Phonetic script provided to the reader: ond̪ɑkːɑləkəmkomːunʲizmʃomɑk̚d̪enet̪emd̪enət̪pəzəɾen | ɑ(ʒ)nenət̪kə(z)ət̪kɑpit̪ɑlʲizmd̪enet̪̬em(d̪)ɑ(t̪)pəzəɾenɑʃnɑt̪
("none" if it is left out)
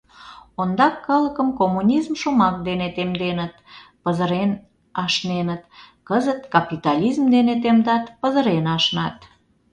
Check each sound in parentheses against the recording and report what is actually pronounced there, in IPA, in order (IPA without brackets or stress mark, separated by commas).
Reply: ʃ, z, d̪, t̪